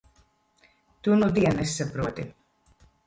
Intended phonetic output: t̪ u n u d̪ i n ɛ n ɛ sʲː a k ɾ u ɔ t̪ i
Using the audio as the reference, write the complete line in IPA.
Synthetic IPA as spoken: t̪ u n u d̪ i ɛ n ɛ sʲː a p ɾ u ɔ t̪ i